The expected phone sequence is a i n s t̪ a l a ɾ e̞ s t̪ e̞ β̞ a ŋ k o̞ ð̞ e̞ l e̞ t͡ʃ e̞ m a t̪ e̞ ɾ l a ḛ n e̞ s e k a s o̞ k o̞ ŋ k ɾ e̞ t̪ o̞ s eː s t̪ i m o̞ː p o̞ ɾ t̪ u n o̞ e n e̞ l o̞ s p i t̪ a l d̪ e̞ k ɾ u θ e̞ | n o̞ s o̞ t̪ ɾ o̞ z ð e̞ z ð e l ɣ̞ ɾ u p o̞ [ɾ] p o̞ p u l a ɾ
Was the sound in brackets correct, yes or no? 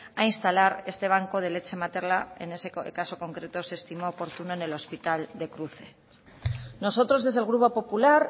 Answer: no